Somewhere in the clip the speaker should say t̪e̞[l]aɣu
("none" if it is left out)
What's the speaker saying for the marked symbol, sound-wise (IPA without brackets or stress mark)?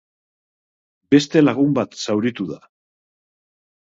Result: l